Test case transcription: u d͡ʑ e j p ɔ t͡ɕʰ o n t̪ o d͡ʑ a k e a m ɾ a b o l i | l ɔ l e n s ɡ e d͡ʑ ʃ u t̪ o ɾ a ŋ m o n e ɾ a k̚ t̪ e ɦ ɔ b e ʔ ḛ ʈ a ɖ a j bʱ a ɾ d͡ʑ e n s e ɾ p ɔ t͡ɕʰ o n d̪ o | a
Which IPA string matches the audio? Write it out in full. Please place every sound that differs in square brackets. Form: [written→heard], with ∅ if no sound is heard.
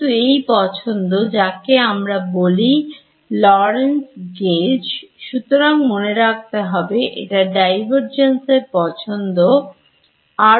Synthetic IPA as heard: u [d͡ʑ→∅] e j p ɔ t͡ɕʰ o n [t̪→d̪] o d͡ʑ a k e a m ɾ a b o l i | l ɔ [l→ɾ] e n s ɡ e d͡ʑ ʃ u t̪ o ɾ a ŋ m o n e ɾ a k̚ t̪ e ɦ ɔ b e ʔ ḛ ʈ a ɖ a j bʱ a ɾ d͡ʑ e n s e ɾ p ɔ t͡ɕʰ o n d̪ o | a